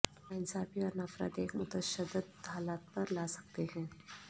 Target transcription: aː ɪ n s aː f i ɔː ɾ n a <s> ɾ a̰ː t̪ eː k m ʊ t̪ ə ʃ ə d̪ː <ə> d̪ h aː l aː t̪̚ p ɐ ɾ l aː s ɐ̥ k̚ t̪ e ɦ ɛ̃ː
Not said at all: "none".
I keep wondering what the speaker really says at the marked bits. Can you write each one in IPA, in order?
f, ə

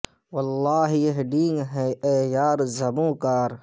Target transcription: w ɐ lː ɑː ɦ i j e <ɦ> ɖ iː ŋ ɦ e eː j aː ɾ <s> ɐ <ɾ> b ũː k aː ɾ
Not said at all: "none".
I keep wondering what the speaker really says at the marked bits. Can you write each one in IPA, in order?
ɦ, z, none

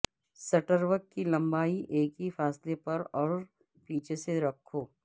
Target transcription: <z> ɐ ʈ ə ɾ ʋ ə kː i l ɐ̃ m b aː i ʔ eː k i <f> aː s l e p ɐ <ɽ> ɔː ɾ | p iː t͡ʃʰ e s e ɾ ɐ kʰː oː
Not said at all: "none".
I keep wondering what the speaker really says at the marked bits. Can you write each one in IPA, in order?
s, f, ɾ

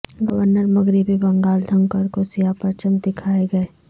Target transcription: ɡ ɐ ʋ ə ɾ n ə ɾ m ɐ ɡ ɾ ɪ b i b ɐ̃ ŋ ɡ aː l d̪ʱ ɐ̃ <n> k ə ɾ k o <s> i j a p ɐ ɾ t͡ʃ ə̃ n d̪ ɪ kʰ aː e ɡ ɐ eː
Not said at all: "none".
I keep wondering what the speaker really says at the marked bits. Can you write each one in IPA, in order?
ŋ, s

